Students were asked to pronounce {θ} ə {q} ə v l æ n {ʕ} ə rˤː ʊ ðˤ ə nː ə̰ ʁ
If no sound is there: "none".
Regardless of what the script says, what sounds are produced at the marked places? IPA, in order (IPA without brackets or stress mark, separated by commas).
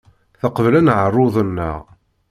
θ, q, ʕ